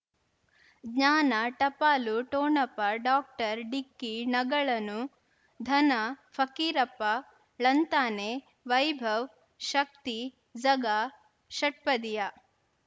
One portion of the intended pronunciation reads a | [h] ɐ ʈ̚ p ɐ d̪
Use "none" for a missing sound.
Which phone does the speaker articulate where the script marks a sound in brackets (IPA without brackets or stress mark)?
ʃ